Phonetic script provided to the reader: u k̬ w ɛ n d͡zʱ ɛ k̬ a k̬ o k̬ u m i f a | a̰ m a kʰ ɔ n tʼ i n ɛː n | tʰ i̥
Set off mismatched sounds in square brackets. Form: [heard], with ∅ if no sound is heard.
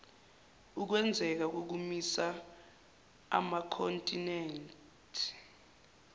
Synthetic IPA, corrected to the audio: u k̬ w ɛ n d͡zʱ ɛ k̬ a k̬ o k̬ u m i [s] a | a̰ m a kʰ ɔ n tʼ i n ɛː n | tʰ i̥